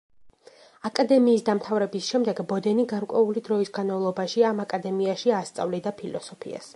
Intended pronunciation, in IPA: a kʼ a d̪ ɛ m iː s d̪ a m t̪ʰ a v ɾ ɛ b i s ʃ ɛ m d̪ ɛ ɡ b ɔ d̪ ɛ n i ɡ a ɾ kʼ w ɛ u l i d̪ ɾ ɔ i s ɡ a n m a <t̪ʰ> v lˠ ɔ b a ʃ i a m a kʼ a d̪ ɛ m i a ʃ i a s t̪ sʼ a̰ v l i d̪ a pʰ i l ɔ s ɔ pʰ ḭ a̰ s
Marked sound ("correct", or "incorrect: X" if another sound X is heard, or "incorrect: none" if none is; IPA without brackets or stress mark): incorrect: none